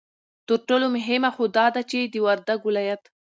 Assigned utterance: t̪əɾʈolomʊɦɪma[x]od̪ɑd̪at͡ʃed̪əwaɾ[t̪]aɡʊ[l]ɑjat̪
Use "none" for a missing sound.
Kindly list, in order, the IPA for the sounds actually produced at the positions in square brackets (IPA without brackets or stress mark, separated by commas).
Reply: x, d̪, l